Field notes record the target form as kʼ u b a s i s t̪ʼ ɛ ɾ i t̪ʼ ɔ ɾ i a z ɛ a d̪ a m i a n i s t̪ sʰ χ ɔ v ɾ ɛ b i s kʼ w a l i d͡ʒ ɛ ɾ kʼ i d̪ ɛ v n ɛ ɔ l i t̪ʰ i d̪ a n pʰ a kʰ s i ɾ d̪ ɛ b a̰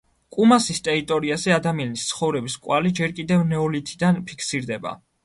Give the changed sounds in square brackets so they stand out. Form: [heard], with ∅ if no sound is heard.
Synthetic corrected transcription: kʼ u [m] a s i s t̪ʼ ɛ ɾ i t̪ʼ ɔ ɾ i a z ɛ a d̪ a m i a n i s t̪ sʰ χ ɔ v ɾ ɛ b i s kʼ w a l i d͡ʒ ɛ ɾ kʼ i d̪ ɛ v n ɛ ɔ l i t̪ʰ i d̪ a n pʰ [i] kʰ s i ɾ d̪ ɛ b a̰

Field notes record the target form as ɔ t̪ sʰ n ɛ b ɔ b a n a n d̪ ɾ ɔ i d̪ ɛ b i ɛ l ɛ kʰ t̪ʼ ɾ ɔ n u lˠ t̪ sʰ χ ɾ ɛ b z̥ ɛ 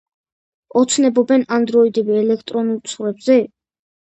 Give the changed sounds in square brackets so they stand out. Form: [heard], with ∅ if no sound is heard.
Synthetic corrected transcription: ɔ t̪ sʰ n ɛ b ɔ b [ɛ] n a n d̪ ɾ ɔ i d̪ ɛ b i ɛ l ɛ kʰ t̪ʼ ɾ ɔ n u lˠ t̪ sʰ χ ɾ ɛ b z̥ ɛ

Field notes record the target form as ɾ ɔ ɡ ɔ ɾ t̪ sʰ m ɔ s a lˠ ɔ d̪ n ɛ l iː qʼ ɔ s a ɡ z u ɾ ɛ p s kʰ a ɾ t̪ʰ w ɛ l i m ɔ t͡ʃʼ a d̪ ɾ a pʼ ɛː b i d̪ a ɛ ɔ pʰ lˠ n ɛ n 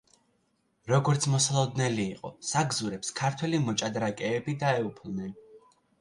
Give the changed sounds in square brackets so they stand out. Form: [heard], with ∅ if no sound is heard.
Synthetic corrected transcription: ɾ ɔ ɡ ɔ ɾ t̪ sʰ m ɔ s a lˠ ɔ d̪ n ɛ l iː qʼ ɔ s a ɡ z u ɾ ɛ p s kʰ a ɾ t̪ʰ w ɛ l i m ɔ t͡ʃʼ a d̪ ɾ a [kʼ] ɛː b i d̪ a ɛ [u] pʰ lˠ n ɛ n

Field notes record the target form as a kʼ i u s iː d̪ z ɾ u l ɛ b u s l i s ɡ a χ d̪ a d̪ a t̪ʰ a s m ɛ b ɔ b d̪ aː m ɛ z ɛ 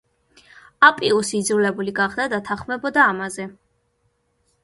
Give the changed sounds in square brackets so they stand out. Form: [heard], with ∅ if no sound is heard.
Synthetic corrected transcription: a [pʼ] i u s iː d̪ z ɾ u l ɛ b u [∅] l i [∅] ɡ a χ d̪ a d̪ a t̪ʰ a [χ] m ɛ b ɔ [∅] d̪ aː m [a] z ɛ

